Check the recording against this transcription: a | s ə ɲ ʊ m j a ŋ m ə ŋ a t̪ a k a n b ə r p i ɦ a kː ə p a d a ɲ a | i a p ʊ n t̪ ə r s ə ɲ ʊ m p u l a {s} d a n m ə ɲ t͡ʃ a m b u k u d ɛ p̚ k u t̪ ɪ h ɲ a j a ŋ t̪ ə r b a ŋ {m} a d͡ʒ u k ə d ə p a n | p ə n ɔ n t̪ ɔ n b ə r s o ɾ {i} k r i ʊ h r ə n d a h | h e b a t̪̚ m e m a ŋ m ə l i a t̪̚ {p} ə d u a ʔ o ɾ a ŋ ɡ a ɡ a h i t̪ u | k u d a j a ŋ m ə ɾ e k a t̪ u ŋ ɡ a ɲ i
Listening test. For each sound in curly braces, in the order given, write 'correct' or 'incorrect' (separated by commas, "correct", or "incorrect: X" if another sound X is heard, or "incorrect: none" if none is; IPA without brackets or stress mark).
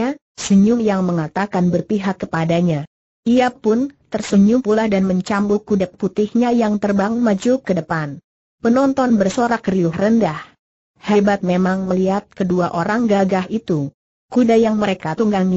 incorrect: h, correct, incorrect: a, incorrect: k